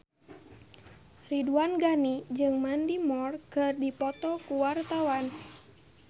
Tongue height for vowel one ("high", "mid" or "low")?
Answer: high